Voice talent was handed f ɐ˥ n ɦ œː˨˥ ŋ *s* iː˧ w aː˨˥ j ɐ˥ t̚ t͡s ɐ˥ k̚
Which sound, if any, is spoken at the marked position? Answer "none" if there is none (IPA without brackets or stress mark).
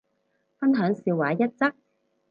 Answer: s